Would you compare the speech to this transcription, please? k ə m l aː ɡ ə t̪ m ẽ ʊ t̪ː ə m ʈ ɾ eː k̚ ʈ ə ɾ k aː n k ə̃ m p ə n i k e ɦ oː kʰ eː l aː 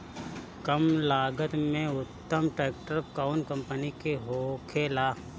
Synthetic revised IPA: k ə m l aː ɡ ə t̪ m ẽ ʊ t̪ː ə m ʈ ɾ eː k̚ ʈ ə ɾ k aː n k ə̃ m p ə n i k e ɦ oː kʰ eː l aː